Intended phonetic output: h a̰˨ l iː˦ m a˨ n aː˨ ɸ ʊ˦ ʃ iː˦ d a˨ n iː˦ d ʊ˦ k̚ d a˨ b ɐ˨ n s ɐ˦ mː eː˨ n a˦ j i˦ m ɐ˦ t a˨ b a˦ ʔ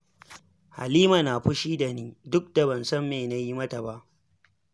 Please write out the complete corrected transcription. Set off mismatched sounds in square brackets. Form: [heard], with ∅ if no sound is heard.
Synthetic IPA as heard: h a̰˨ l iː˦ m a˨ n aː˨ ɸ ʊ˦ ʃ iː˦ d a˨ n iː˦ d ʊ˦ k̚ d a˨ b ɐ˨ n s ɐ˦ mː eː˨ n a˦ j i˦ m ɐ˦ t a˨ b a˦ ʔ